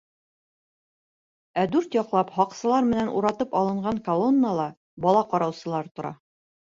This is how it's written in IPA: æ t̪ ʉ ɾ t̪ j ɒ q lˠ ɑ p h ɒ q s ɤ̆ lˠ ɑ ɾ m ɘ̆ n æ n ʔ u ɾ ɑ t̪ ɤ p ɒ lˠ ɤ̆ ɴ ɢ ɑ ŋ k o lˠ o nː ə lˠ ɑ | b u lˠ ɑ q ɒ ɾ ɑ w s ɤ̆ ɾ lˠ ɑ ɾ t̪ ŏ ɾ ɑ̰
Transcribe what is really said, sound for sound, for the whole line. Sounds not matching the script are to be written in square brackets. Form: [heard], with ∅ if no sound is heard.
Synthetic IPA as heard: æ [d̪] ʉ ɾ t̪ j ɒ q lˠ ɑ p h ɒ q s ɤ̆ lˠ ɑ ɾ m ɘ̆ n æ n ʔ u ɾ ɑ t̪ ɤ p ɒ lˠ ɤ̆ ɴ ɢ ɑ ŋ k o lˠ o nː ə lˠ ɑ | b [ɒ] lˠ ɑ q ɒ ɾ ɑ w s ɤ̆ [∅] lˠ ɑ ɾ t̪ ŏ ɾ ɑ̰